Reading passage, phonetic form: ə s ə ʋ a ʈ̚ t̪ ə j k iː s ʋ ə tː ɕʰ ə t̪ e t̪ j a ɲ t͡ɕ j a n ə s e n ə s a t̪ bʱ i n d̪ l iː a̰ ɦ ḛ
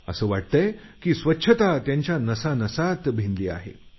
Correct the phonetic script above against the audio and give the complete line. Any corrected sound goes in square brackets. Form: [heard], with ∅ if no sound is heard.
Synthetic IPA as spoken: ə s [əː] ʋ a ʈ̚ t̪ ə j k iː s ʋ ə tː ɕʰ ə t̪ [a] t̪ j a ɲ t͡ɕ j a n ə s [a] n ə s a t̪ bʱ i n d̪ l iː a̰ ɦ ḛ